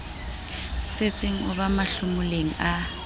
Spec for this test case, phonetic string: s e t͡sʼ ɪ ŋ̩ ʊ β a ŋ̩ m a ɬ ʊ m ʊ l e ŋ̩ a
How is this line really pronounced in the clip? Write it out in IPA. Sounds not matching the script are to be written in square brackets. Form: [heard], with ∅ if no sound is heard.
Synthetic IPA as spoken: s e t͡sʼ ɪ ŋ̩ ʊ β a [∅] m a ɬ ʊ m ʊ l e ŋ̩ a